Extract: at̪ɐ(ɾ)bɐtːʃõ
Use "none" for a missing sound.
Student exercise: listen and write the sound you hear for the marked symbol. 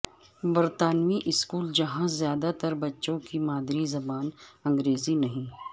ɾ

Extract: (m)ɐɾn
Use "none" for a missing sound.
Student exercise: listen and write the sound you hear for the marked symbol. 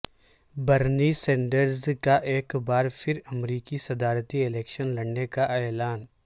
b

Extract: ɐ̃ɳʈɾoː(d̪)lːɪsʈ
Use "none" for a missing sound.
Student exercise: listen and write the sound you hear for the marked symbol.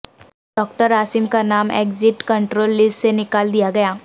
none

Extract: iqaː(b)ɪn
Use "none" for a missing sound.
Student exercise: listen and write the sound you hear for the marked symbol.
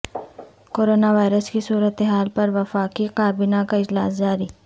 b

